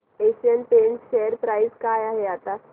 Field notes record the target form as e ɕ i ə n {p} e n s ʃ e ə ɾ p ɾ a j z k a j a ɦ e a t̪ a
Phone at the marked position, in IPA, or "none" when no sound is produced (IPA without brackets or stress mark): p